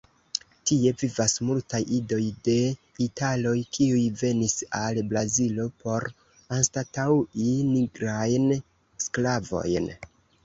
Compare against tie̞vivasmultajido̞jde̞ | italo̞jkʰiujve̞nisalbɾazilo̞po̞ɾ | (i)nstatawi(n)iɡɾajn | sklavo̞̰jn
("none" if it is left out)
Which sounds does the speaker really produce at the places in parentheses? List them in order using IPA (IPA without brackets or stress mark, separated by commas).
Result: a, n